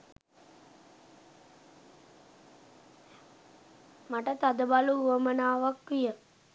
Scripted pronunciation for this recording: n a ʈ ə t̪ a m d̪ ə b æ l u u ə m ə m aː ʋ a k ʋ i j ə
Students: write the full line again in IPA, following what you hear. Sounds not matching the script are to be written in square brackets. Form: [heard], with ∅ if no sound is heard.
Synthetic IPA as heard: [m] a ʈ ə t̪ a [∅] d̪ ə b [a] l u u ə m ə [n] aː ʋ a k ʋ i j ə